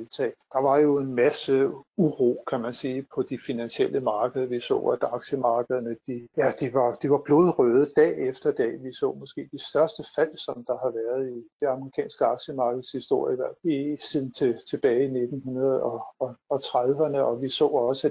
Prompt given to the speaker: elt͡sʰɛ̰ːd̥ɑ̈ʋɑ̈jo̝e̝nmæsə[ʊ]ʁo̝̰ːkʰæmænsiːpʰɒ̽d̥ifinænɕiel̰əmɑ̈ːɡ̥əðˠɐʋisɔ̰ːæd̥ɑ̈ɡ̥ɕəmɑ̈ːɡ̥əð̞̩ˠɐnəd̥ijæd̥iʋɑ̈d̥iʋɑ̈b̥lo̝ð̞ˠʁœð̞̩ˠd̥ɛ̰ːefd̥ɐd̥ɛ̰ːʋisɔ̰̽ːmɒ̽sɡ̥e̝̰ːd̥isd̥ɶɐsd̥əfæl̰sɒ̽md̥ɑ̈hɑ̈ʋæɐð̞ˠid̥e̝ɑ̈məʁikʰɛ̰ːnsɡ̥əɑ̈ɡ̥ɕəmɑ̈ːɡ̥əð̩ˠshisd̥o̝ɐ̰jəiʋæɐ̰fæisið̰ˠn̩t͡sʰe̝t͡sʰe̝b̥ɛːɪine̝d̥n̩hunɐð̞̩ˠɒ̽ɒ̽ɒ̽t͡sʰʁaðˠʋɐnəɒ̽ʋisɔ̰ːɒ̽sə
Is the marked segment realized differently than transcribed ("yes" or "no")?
yes